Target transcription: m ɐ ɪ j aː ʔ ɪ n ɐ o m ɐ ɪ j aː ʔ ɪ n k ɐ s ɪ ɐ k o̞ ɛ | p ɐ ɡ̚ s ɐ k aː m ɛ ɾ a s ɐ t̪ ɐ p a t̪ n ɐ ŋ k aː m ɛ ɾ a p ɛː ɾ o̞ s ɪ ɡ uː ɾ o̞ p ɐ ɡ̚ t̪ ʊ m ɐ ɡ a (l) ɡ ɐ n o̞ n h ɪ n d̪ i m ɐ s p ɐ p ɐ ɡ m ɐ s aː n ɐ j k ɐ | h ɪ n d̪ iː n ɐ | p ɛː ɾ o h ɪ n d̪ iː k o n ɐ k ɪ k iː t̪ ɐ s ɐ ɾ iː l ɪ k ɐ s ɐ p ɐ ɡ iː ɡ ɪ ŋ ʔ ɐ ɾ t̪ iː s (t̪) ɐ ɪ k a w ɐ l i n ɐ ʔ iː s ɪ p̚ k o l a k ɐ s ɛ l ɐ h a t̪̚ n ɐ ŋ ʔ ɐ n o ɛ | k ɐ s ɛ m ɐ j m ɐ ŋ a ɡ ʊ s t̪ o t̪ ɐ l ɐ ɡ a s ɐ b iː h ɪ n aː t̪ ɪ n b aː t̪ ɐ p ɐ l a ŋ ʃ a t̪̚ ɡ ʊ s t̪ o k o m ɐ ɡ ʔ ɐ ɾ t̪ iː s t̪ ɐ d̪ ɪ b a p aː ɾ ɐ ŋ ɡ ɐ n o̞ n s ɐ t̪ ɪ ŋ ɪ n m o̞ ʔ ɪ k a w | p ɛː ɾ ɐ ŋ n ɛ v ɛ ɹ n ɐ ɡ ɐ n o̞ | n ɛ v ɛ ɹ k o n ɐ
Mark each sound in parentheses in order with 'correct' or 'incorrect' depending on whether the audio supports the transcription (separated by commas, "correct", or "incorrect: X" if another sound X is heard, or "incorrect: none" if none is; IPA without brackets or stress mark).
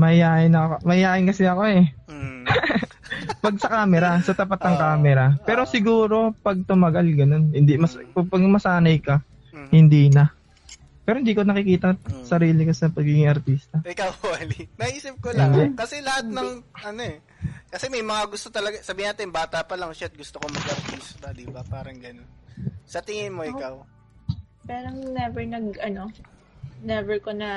correct, correct